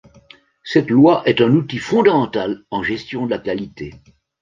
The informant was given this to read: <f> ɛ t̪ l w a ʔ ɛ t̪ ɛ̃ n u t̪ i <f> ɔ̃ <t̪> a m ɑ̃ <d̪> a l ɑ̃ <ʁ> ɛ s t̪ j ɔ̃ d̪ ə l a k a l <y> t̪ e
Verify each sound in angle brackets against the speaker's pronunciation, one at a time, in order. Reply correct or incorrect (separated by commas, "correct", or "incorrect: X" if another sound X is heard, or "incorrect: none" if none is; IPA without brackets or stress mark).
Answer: incorrect: s, correct, incorrect: d̪, incorrect: t̪, incorrect: ʒ, incorrect: i